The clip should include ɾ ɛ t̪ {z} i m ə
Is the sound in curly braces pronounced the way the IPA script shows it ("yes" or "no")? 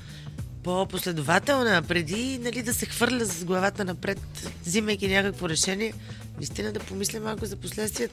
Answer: yes